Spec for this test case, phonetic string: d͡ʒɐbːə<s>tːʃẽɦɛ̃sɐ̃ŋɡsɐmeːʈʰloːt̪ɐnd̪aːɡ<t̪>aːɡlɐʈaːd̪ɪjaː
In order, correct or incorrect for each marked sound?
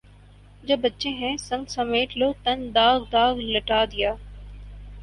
incorrect: none, incorrect: d̪

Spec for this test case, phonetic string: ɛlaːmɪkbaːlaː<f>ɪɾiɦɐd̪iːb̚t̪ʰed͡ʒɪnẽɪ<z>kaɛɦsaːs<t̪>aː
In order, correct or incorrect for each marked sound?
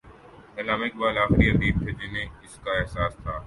incorrect: x, incorrect: s, incorrect: t̪ʰ

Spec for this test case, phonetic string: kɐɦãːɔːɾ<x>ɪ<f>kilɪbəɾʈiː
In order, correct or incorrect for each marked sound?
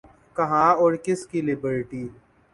incorrect: k, incorrect: s

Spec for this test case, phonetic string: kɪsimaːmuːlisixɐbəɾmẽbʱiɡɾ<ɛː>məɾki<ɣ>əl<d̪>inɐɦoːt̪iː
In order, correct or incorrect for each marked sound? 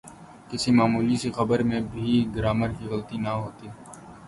incorrect: aː, correct, incorrect: t̪

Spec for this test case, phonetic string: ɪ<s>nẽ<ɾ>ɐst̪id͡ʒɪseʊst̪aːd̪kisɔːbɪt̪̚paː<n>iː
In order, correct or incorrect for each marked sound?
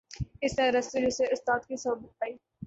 correct, correct, incorrect: none

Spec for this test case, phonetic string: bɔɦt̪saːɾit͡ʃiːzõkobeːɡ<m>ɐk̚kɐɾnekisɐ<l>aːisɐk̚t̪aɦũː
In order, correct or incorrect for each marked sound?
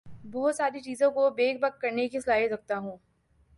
incorrect: b, correct

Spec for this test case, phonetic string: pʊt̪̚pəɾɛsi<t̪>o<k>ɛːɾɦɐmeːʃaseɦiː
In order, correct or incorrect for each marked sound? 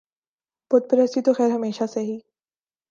correct, incorrect: x

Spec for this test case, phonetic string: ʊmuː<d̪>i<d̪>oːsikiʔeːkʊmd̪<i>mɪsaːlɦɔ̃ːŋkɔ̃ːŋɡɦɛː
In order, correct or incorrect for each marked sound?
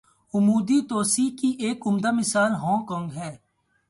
correct, incorrect: t̪, incorrect: a

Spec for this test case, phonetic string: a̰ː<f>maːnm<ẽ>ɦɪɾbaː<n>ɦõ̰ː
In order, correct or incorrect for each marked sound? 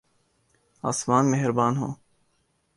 incorrect: s, incorrect: e, correct

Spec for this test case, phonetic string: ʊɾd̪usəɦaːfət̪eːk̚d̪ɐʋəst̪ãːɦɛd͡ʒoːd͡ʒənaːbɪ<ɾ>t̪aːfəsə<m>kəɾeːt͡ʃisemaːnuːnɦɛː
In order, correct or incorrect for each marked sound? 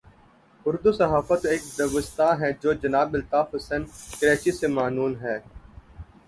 incorrect: l, incorrect: n

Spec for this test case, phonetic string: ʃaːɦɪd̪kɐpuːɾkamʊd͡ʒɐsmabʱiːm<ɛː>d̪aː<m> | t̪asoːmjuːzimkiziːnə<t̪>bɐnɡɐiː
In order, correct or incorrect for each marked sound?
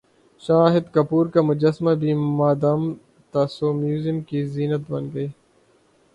incorrect: aː, correct, correct

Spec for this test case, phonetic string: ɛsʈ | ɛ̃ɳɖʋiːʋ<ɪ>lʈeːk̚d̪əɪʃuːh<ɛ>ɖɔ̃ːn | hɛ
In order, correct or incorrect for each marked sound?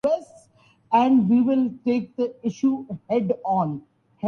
correct, correct

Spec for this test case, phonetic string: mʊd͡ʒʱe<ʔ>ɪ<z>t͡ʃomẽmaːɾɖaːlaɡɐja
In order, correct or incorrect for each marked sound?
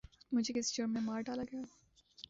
incorrect: k, incorrect: s

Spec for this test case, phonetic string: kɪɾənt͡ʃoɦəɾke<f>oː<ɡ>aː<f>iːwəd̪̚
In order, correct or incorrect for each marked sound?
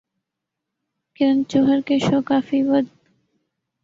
incorrect: ʃ, incorrect: k, correct

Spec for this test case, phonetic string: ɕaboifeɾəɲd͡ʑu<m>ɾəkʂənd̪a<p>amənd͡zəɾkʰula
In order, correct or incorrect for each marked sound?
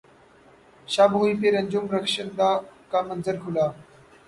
correct, incorrect: k

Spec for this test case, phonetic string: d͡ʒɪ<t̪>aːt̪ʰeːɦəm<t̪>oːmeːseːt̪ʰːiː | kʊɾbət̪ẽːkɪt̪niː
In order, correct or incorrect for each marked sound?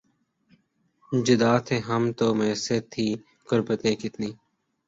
incorrect: d̪, correct

